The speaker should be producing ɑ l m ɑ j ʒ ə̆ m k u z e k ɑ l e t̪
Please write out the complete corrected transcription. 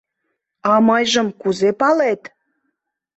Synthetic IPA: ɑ m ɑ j ʒ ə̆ m k u z e p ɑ l e t̪